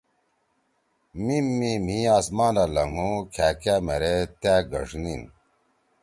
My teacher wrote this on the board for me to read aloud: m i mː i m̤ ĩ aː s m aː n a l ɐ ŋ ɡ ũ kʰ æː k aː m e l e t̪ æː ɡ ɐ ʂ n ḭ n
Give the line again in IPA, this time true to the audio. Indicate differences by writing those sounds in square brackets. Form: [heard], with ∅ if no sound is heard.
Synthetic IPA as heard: m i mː i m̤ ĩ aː s m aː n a l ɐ ŋ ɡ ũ kʰ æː k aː m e [ɾ] e t̪ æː ɡ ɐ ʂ n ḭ n